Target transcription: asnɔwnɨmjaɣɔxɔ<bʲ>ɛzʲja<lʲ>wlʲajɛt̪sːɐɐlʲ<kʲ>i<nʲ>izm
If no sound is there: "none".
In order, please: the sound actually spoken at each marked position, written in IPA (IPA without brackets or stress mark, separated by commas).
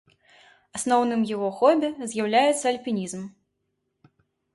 bʲ, none, pʲ, nʲ